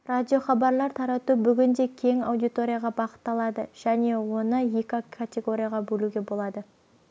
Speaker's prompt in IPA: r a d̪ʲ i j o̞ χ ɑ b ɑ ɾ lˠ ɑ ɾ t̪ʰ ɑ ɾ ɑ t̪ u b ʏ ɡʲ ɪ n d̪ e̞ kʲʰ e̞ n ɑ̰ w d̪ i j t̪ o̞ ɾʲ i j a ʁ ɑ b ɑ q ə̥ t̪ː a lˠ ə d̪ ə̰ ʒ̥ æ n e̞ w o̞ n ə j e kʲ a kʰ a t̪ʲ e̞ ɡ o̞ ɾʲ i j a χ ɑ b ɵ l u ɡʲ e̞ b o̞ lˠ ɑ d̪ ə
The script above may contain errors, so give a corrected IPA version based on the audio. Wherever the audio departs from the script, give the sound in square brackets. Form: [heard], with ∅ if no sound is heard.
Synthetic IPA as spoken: r a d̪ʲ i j o̞ χ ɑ b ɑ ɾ lˠ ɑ ɾ t̪ʰ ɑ ɾ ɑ t̪ u b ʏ ɡʲ ɪ n d̪ e̞ kʲʰ e̞ [ŋ] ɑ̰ w d̪ i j t̪ o̞ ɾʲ i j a ʁ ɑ b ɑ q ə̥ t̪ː [ɑ] lˠ [ɑ] d̪ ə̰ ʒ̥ æ n e̞ w o̞ n ə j e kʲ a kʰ a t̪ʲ e̞ ɡ o̞ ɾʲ i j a [ʁ] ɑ b ɵ l u ɡʲ e̞ b o̞ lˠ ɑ d̪ ə